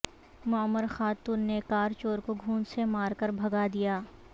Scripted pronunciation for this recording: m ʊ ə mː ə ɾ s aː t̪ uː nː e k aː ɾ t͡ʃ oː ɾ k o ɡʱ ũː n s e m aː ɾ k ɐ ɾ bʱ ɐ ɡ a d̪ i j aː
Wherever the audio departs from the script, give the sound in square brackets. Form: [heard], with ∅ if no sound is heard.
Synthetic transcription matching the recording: m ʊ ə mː ə ɾ [x] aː t̪ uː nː e k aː ɾ t͡ʃ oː ɾ k o ɡʱ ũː n s e m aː ɾ k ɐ ɾ bʱ ɐ ɡ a d̪ i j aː